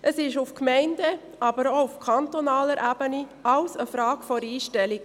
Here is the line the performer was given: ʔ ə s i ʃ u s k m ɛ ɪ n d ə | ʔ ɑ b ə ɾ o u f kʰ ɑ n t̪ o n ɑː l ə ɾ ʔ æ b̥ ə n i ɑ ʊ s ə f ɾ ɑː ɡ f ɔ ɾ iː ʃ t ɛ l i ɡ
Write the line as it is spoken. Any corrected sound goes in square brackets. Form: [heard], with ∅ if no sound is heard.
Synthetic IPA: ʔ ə s [ɪ] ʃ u [f] k m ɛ ɪ n d ə | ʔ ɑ b ə ɾ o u f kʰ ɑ n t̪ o n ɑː l ə ɾ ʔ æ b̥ ə n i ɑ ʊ s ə f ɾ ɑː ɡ f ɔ ɾ iː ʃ t ɛ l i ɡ